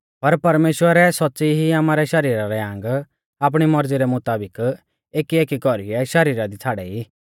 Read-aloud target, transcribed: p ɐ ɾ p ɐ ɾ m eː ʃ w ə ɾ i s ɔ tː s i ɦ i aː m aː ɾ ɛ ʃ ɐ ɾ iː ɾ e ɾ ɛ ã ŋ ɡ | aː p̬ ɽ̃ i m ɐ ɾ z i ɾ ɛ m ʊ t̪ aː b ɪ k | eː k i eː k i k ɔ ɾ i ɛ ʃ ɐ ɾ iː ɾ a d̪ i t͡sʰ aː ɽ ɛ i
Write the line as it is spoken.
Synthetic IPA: p ɐ ɾ p ɐ ɾ m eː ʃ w ə ɾ ɛ s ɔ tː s i ɦ i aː m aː ɾ ɛ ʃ ɐ ɾ iː ɾ a ɾ ɛ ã ŋ ɡ | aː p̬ ɽ̃ i m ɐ ɾ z i ɾ ɛ m ʊ t̪ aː b ɪ k | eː k i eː k i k ɔ ɾ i ɛ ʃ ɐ ɾ iː ɾ a d̪ i t͡sʰ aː ɽ ɛ i